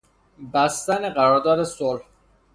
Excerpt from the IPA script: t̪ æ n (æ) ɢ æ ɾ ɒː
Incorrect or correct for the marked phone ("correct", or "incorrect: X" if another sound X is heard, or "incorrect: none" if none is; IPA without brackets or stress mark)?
incorrect: e